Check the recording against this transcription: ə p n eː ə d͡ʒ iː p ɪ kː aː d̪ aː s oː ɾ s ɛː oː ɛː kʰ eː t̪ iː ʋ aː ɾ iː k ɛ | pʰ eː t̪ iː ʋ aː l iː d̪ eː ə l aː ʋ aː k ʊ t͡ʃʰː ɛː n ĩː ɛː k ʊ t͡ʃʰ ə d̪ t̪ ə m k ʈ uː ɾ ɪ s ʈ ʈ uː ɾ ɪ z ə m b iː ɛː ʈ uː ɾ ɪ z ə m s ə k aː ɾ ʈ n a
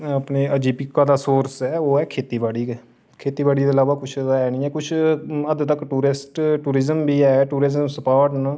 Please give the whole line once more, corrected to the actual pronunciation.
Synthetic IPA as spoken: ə p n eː ə d͡ʒ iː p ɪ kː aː d̪ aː s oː ɾ s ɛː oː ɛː kʰ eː t̪ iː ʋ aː ɽ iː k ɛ | kʰ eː t̪ iː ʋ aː ɽ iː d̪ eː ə l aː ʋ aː k ʊ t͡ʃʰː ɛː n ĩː ɛː k ʊ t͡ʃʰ ə d̪ t̪ ə k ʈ uː ɾ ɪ s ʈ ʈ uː ɾ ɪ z ə m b iː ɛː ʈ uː ɾ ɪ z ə m s ə p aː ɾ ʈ n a

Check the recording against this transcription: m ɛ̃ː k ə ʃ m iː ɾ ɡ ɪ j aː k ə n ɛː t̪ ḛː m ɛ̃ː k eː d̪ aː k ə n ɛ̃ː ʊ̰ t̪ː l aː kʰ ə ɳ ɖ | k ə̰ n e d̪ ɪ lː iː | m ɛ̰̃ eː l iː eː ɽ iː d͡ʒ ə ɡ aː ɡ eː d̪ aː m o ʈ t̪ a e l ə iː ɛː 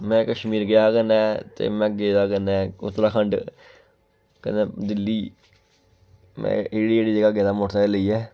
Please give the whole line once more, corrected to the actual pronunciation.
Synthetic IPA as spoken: m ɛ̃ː k ə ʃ m iː ɾ ɡ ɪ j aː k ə n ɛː t̪ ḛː m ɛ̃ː ɡ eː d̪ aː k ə n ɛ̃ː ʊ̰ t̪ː ɾ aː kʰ ə ɳ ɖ | k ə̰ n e d̪ ɪ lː iː | m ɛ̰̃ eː ɽ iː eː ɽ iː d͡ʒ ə ɡ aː ɡ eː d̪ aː m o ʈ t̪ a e l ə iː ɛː

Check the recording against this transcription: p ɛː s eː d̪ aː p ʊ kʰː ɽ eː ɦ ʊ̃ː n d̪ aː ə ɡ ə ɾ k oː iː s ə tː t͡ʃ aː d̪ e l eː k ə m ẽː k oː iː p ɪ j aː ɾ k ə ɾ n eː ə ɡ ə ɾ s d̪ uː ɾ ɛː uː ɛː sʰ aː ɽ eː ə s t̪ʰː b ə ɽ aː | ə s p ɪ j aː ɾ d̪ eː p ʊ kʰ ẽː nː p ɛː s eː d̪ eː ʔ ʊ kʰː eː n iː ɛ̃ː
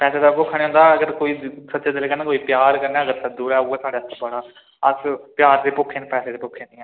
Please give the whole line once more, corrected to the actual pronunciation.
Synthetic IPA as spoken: p ɛː s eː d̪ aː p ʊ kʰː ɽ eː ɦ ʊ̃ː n d̪ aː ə ɡ ə ɾ k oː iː s ə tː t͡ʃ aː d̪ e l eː k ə n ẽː k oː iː p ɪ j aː ɾ k ə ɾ n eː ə ɡ ə ɾ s d̪ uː ɾ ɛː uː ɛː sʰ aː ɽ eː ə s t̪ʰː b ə ɽ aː | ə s p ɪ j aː ɾ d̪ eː p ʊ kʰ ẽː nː p ɛː s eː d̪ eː p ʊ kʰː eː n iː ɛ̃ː

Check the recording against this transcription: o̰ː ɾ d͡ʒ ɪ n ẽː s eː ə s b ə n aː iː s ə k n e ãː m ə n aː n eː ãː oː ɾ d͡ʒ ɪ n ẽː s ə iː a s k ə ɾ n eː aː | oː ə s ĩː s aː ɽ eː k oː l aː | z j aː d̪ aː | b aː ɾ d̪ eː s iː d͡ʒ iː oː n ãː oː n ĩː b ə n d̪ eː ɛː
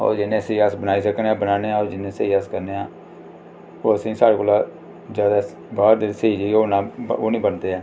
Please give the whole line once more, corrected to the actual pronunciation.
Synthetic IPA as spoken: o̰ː ɾ d͡ʒ ɪ n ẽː s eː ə s b ə n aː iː s ə k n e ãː b ə n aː n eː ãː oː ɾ d͡ʒ ɪ n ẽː s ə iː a s k ə ɾ n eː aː | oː ə s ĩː s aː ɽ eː k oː l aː | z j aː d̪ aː | b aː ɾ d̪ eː s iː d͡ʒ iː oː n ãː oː n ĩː b ə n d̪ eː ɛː

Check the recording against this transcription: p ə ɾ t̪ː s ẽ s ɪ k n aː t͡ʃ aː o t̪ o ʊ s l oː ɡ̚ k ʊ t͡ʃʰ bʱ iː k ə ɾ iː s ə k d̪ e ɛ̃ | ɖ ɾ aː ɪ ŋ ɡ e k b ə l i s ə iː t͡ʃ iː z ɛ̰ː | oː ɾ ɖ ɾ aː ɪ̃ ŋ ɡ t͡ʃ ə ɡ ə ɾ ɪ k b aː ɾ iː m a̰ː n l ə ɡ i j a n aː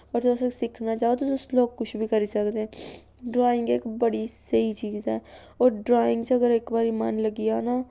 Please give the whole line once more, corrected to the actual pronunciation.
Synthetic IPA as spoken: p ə ɾ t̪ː s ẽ s ɪ kʰ n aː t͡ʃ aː o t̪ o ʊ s l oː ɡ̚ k ʊ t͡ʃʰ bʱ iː k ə ɾ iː s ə k d̪ e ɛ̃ | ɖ ɾ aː ɪ ŋ ɡ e k b ə ɽ i s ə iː t͡ʃ iː z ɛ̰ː | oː ɾ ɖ ɾ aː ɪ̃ ŋ ɡ t͡ʃ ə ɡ ə ɾ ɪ k b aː ɾ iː m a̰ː n l ə ɡ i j a n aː

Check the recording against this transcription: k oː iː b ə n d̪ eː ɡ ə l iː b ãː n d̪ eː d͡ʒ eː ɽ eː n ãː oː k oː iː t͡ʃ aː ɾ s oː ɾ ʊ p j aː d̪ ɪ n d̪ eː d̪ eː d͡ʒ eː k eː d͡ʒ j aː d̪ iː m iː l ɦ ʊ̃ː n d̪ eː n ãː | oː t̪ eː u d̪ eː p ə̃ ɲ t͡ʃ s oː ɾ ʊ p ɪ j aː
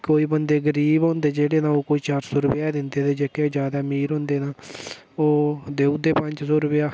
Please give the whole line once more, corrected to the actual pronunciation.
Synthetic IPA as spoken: k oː iː b ə n d̪ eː ɡ ə ɾ iː b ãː n d̪ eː d͡ʒ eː ɽ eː n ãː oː k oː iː t͡ʃ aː ɾ s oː ɾ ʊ p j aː d̪ ɪ n d̪ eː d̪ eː d͡ʒ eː k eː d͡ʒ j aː d̪ aː m iː ɾ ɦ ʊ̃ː n d̪ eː n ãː | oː d̪ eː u d̪ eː p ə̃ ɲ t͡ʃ s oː ɾ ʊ p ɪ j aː

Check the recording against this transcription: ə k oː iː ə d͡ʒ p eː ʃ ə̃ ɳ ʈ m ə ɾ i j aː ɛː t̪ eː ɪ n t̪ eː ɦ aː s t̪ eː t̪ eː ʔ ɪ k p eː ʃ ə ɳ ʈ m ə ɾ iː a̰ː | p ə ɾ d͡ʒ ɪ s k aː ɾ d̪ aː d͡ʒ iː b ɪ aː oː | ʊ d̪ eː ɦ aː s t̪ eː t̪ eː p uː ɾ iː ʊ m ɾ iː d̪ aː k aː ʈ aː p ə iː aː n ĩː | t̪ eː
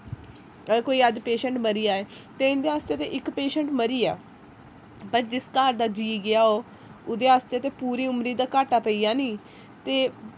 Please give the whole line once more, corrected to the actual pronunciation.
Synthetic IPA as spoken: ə k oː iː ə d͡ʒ p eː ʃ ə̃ ɳ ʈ m ə ɾ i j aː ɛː t̪ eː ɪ n d̪ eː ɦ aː s t̪ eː t̪ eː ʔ ɪ k p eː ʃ ə ɳ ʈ m ə ɾ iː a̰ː | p ə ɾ d͡ʒ ɪ s k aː ɾ d̪ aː d͡ʒ iː ɡ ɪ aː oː | ʊ d̪ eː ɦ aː s t̪ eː t̪ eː p uː ɾ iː ʊ m ɾ iː d̪ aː k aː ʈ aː p ə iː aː n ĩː | t̪ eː

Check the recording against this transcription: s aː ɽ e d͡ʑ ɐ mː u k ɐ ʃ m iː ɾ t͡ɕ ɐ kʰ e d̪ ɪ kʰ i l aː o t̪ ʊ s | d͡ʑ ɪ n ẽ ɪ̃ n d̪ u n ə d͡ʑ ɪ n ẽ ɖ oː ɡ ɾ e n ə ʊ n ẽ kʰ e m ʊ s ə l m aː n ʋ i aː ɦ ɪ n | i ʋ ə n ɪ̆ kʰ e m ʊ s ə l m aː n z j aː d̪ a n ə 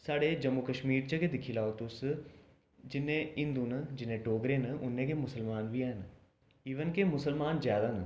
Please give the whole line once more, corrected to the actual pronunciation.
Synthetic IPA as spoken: s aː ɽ e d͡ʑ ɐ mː u k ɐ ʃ m iː ɾ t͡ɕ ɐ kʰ e d̪ ɪ kʰ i l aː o t̪ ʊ s | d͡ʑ ɪ n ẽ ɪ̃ n d̪ u n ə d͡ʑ ɪ n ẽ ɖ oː ɡ ɾ e n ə ʊ n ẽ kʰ e m ʊ s ə l m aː n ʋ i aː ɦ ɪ n | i ʋ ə n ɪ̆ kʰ e m ʊ s ə l m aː n z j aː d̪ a n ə

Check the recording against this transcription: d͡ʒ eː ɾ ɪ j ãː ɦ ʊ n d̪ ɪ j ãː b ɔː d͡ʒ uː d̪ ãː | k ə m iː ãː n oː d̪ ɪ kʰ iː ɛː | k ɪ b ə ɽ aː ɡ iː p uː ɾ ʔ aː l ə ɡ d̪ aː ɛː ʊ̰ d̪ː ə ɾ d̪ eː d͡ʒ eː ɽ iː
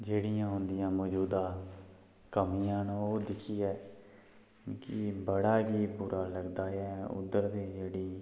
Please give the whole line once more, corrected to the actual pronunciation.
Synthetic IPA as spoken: d͡ʒ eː ɽ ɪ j ãː ɦ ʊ n d̪ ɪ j ãː m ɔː d͡ʒ uː d̪ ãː | k ə m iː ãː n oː d̪ ɪ kʰ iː ɛː | k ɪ b ə ɽ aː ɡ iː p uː ɾ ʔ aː l ə ɡ d̪ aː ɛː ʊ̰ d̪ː ə ɾ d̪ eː d͡ʒ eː ɽ iː

